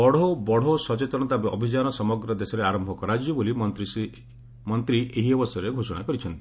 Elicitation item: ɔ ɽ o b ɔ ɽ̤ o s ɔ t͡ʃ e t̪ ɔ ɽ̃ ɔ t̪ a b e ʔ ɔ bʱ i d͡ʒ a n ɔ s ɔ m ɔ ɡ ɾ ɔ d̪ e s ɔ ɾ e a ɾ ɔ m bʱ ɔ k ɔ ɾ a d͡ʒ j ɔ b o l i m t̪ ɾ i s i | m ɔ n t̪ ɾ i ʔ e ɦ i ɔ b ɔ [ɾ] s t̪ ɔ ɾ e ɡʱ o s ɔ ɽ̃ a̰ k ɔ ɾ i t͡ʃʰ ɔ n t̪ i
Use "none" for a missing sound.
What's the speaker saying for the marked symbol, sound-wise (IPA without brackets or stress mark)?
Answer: none